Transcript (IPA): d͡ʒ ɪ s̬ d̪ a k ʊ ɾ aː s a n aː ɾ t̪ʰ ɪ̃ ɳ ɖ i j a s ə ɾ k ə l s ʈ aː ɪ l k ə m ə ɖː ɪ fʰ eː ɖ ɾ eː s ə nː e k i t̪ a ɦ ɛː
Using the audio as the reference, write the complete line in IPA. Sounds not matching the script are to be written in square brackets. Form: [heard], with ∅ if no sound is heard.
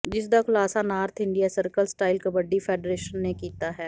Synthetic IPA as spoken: d͡ʒ ɪ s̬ d̪ a k ʊ [l] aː s a n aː ɾ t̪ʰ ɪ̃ ɳ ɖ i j a s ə ɾ k ə l s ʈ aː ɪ l k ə [b] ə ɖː [i] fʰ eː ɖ ɾ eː [ʃ] ə nː e k [iː] t̪ a ɦ ɛː

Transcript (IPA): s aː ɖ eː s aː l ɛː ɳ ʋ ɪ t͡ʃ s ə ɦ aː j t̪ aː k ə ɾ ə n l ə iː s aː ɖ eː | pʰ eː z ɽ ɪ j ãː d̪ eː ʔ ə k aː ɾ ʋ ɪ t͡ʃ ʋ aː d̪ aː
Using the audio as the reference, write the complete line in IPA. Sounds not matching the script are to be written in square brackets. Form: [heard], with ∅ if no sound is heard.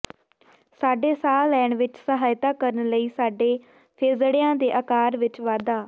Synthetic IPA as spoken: s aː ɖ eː s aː l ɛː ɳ ʋ ɪ t͡ʃ s ə ɦ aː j t̪ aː k ə ɾ ə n l ə iː s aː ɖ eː | pʰ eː z ɽ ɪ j ãː d̪ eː ʔ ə k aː ɾ ʋ ɪ t͡ʃ ʋ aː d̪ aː

